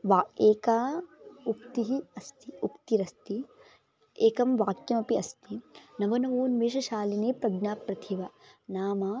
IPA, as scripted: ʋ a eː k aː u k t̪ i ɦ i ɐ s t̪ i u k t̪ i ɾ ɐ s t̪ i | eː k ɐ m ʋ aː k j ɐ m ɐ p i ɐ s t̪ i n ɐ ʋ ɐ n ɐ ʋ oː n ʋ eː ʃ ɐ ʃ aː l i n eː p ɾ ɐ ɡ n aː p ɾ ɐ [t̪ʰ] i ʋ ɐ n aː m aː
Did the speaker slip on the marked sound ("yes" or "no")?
no